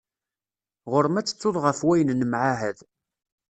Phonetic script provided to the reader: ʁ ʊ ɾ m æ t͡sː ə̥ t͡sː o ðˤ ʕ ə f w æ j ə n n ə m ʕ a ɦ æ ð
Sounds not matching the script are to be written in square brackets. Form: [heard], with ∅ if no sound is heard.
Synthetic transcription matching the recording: ʁ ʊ ɾ m æ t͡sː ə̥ t͡sː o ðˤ [ʁ] ə f w æ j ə n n ə m ʕ a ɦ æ ð